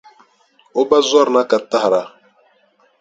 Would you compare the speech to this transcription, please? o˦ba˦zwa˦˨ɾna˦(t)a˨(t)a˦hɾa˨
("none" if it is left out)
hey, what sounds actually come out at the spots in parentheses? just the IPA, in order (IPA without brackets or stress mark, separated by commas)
k, t